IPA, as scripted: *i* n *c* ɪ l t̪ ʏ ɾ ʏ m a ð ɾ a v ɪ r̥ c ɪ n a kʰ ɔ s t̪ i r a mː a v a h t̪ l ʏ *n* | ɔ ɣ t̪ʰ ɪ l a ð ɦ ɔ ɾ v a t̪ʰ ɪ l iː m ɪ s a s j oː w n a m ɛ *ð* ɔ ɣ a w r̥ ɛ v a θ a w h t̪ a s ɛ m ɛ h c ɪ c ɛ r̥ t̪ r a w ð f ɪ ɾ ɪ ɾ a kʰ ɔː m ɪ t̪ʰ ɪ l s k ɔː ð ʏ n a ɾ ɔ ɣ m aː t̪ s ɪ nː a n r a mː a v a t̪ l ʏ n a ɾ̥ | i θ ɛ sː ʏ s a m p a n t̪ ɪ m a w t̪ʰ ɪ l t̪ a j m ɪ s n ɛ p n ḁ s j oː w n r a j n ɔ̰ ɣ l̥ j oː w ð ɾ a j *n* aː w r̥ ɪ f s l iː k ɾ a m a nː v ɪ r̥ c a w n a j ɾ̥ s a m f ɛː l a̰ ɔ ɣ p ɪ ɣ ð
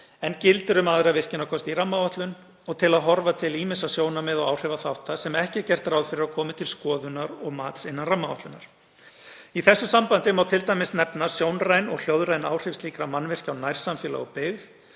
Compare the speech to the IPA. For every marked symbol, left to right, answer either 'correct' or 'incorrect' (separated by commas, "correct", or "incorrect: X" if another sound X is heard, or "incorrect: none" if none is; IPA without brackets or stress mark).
incorrect: ɛ, correct, correct, correct, correct